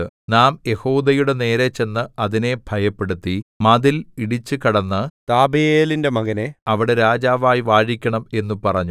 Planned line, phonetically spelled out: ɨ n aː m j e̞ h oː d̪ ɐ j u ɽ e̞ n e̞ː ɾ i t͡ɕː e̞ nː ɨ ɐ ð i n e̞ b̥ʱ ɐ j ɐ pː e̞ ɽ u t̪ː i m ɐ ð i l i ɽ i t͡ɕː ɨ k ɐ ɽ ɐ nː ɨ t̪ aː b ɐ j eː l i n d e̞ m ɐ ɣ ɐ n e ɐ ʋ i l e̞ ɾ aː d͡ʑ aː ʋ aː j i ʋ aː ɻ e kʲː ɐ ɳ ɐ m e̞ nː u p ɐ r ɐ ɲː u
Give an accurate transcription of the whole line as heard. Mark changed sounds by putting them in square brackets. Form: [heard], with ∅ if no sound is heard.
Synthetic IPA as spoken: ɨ n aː m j e̞ h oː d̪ ɐ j u ɽ e̞ n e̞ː ɾ [e] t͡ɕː e̞ nː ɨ ɐ ð i n e̞ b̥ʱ ɐ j ɐ pː e̞ ɽ u t̪ː i m ɐ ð i l i ɽ i t͡ɕː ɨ k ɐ ɽ ɐ nː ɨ t̪ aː b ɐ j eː l i n d e̞ m ɐ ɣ ɐ n e ɐ ʋ i [ɽ] e̞ ɾ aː d͡ʑ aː ʋ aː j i ʋ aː ɻ [i] kʲː ɐ ɳ ɐ m e̞ nː u p ɐ r ɐ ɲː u

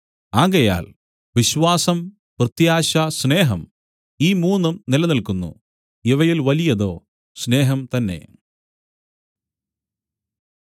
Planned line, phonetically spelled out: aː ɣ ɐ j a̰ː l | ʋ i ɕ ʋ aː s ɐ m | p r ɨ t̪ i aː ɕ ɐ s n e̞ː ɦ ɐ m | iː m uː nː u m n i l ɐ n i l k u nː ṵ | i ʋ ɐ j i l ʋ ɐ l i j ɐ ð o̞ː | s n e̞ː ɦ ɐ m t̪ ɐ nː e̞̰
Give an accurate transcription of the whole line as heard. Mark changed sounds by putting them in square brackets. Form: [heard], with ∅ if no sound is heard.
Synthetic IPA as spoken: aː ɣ ɐ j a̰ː l | ʋ i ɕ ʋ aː s ɐ m | p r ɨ t̪ [j] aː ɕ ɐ s n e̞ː ɦ ɐ m | iː m uː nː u m n i l ɐ n i l k u nː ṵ | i ʋ ɐ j i l ʋ ɐ l i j ɐ ð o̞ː | s n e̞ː ɦ ɐ m t̪ ɐ nː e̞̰

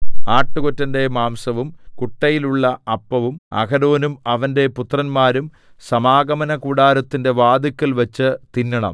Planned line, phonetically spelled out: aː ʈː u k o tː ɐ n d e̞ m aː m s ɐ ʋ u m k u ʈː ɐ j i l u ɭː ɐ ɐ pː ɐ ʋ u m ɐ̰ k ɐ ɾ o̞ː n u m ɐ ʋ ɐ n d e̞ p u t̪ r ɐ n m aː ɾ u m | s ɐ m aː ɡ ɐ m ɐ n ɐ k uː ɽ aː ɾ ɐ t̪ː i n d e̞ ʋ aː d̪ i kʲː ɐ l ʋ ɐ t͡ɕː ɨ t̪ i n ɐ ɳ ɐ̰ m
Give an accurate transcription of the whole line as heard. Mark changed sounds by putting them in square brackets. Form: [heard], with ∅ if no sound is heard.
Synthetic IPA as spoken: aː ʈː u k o tː ɐ n d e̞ m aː m s ɐ ʋ u m k u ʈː ɐ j i l u ɭː ɐ ɐ pː ɐ ʋ u m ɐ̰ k ɐ ɾ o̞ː n u m ɐ ʋ ɐ n d e̞ p u t̪ r ɐ n m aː ɾ u m | s ɐ m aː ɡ ɐ m ɐ n ɐ k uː ɽ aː ɾ ɐ t̪ː i n d e̞ ʋ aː d̪ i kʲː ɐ l ʋ ɐ t͡ɕː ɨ t̪ i [nː] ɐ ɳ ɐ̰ m

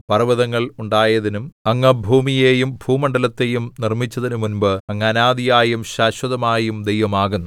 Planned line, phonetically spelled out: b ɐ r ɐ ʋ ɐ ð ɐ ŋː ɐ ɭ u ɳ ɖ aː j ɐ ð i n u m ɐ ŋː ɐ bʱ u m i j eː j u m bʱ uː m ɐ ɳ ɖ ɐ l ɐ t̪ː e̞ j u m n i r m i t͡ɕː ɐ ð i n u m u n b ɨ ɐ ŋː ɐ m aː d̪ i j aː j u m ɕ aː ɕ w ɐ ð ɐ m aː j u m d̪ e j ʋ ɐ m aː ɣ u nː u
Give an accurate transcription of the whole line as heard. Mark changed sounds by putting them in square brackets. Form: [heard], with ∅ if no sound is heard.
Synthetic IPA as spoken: [p] ɐ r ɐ ʋ ɐ ð ɐ ŋː ɐ ɭ u ɳ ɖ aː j ɐ ð i n u m ɐ ŋː ɐ bʱ [uː] m i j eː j u m bʱ uː m ɐ ɳ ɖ ɐ l ɐ t̪ː e̞ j u m n i r m i t͡ɕː ɐ ð i n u m u n b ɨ ɐ ŋː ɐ [n] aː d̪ i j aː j u m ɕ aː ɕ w ɐ ð ɐ m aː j u m d̪ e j ʋ ɐ m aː ɣ u nː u

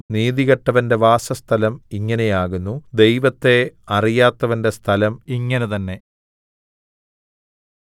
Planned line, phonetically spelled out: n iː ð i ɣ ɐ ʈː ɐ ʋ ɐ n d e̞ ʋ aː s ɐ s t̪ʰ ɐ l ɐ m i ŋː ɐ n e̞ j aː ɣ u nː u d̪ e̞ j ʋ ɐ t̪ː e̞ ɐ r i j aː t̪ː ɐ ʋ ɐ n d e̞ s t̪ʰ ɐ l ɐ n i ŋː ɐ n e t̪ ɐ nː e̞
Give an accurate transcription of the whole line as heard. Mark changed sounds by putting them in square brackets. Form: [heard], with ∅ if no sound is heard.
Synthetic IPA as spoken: n iː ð i ɣ ɐ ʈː ɐ ʋ ɐ n d e̞ ʋ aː s ɐ s t̪ʰ ɐ l ɐ m i ŋː ɐ n e̞ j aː ɣ u nː u d̪ e̞ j ʋ ɐ t̪ː e̞ ɐ r i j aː t̪ː ɐ ʋ ɐ n d e̞ s t̪ʰ ɐ l ɐ [m] i ŋː ɐ n e t̪ ɐ nː e̞

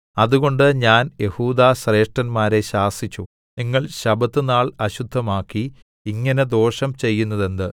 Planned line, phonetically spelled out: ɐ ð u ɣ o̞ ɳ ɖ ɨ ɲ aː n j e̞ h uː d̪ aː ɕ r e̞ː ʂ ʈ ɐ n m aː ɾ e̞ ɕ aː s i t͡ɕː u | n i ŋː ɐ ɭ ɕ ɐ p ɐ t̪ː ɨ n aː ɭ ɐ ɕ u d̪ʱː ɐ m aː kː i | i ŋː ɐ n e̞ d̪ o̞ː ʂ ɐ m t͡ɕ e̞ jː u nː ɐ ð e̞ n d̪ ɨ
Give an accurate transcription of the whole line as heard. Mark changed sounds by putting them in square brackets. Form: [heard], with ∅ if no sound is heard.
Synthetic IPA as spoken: ɐ ð u ɣ o̞ ɳ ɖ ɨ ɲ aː n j e̞ h uː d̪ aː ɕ r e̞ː ʂ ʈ ɐ n m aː ɾ e̞ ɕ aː s i t͡ɕː u | n i ŋː ɐ ɭ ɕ ɐ [b] ɐ t̪ː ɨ n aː ɭ ɐ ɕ u d̪ʱː ɐ m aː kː i | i ŋː ɐ n e̞ d̪ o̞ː ʂ ɐ m t͡ɕ e̞ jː u nː ɐ ð e̞ n d̪ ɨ

